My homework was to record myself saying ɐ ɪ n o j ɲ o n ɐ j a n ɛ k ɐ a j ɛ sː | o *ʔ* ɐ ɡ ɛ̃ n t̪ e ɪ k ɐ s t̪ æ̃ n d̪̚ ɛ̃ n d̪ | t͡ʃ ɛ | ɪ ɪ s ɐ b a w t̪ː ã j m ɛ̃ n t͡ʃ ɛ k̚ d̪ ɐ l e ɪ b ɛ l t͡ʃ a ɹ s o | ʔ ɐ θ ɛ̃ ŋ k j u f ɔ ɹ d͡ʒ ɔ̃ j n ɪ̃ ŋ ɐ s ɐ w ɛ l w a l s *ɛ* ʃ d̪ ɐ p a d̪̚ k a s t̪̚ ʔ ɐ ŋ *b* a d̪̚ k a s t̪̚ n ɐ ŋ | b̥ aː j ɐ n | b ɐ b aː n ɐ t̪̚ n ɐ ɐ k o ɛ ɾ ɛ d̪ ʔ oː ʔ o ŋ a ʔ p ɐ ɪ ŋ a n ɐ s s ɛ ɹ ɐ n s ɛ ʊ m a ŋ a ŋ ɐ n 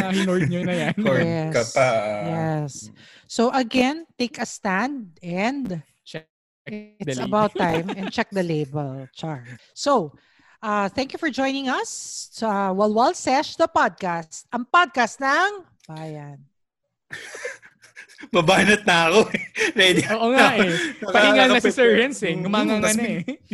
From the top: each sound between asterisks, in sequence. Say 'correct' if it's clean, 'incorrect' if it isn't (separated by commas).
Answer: correct, correct, incorrect